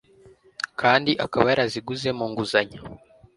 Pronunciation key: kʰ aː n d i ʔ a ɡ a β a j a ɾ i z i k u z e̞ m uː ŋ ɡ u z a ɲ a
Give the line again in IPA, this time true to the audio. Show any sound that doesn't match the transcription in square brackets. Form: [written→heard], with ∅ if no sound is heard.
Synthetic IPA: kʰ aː n d i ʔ a [ɡ→k] a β a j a ɾ [i→a] z i [k→ɡ] u z e̞ m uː ŋ ɡ u z a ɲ a